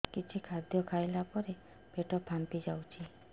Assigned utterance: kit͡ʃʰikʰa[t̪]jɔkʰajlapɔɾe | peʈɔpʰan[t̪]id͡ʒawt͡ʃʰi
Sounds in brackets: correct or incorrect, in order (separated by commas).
incorrect, correct